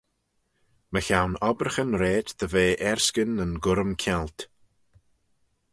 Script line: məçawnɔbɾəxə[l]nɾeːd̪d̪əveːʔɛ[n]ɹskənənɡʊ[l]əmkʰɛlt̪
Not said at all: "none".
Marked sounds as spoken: none, none, ɾ

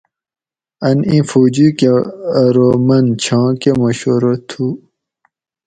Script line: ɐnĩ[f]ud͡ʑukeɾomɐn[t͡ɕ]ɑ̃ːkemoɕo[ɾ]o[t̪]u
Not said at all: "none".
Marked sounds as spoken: f, t͡ɕʰ, ɾ, t̪ʰ

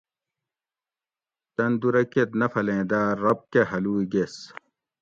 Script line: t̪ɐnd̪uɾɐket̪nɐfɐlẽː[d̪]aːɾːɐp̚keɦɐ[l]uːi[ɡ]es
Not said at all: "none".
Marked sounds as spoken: d̪, l, ɡ

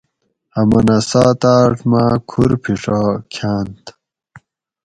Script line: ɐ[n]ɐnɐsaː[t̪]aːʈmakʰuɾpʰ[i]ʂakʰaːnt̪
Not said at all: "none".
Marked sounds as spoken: m, t̪, i

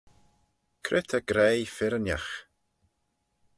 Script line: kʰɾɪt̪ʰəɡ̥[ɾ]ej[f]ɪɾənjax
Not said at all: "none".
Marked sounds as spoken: ɾ, f

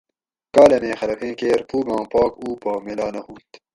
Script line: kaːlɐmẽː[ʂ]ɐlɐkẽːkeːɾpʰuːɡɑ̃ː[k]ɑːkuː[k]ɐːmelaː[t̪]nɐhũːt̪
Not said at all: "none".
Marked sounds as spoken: x, p, p, none

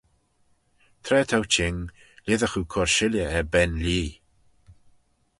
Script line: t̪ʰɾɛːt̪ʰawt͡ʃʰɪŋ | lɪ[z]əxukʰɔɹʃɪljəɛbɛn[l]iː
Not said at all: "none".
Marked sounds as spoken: ð, l

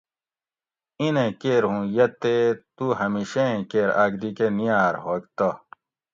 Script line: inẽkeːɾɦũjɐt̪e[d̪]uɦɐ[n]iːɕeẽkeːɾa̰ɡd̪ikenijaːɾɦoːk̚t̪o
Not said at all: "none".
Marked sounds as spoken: t̪, m

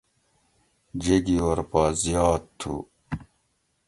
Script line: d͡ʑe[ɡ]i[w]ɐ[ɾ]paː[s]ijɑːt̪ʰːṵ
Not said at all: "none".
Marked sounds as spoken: ɡ, w, ɾ, z

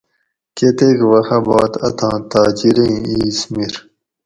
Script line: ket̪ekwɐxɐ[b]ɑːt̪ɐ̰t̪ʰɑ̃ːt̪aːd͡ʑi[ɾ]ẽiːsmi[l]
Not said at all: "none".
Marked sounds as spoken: b, ɾ, ɾ

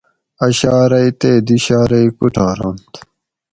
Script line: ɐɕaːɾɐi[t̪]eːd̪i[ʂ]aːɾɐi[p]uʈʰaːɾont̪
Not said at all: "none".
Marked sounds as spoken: t̪, ɕ, k

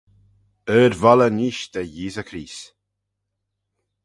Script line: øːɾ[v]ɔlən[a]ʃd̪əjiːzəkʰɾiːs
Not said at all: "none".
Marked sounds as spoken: v, i

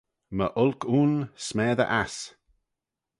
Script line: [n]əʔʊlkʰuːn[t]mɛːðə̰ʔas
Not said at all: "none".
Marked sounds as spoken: m, s

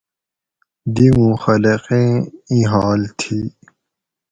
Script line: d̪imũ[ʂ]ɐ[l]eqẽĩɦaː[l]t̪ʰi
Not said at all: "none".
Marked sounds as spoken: x, l, l

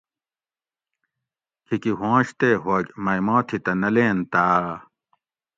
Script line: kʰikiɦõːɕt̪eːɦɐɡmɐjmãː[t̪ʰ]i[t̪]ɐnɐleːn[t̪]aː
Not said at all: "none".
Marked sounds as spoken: t̪ʰ, t̪, t̪

